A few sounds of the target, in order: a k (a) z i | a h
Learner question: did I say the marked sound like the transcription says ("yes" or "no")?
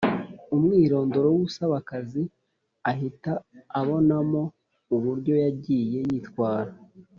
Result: yes